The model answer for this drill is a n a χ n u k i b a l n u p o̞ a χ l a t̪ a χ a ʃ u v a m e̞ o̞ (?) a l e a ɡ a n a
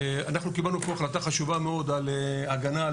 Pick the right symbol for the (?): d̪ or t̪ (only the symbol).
d̪